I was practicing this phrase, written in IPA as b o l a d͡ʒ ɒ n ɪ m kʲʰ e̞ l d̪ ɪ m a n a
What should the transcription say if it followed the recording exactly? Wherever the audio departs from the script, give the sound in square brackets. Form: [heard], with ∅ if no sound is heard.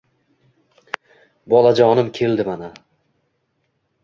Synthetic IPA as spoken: b [ɒ] l a d͡ʒ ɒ n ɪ m kʲʰ e̞ l d̪ ɪ m a n a